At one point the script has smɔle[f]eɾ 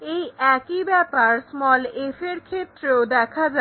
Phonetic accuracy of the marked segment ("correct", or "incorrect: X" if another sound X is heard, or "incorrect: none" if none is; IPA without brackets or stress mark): correct